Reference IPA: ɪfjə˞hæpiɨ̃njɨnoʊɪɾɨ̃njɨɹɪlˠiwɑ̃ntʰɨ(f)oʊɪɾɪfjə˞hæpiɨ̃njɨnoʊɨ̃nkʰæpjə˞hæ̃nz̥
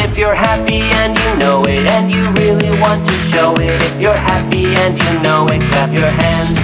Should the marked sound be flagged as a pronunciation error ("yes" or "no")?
yes